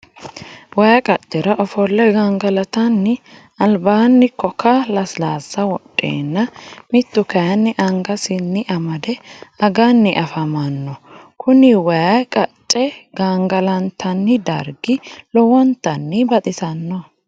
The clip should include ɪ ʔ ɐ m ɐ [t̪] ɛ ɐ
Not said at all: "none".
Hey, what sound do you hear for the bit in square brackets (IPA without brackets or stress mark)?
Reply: d̪